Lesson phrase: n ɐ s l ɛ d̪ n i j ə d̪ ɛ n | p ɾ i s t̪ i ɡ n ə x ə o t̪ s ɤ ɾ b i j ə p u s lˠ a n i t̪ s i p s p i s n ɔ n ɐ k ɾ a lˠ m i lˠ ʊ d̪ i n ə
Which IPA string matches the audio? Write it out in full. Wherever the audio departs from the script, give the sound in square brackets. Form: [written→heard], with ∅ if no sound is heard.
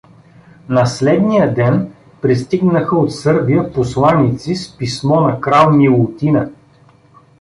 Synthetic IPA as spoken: n ɐ s l ɛ d̪ n i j ə d̪ ɛ n | p ɾ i s t̪ i ɡ n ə x ə o t̪ s ɤ ɾ b i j ə p [u→o] s lˠ a n i t̪ s i [p→∅] s p i s [n→m] ɔ n ɐ k ɾ a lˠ m i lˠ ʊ [d̪→t̪] i n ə